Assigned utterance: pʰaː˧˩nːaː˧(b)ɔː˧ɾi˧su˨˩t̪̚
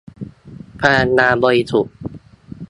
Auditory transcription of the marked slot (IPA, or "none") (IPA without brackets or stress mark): b